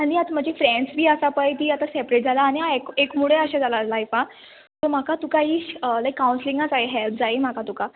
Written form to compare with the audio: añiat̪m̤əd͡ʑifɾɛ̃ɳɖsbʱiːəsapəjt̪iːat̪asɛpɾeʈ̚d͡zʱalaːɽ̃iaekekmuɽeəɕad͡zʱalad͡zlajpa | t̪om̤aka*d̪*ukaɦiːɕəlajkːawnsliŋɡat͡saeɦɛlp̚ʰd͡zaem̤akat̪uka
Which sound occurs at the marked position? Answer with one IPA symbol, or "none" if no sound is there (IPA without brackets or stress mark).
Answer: t̪